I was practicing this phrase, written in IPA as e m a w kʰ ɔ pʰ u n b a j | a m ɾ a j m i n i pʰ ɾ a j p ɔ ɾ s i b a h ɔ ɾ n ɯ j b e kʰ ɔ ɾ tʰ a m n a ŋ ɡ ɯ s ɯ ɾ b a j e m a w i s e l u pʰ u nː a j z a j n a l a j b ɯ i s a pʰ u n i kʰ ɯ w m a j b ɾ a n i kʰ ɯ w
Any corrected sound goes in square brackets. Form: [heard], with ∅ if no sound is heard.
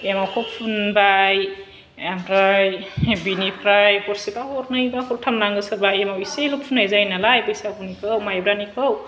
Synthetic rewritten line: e m a w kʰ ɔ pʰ u n b a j | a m ɾ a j [b] i n i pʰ ɾ a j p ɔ ɾ s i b a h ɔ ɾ n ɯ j b [a] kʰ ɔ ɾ tʰ a m n a ŋ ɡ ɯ s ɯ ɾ b a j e m a w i s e l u pʰ u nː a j z a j n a l a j b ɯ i s a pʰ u n i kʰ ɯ w m a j b ɾ a n i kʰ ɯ w